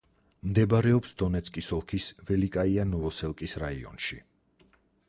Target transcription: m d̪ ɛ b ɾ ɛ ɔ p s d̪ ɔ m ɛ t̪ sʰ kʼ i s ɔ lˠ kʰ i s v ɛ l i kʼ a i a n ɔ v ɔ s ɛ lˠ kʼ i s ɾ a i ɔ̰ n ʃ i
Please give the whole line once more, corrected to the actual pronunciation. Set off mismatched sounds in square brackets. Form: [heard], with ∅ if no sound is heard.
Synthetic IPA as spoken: m d̪ ɛ b ɾ ɛ ɔ p s d̪ ɔ [n] ɛ t̪ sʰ kʼ i s ɔ lˠ kʰ i s v ɛ l i kʼ a i a n ɔ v ɔ s ɛ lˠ kʼ i s ɾ a i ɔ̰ n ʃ i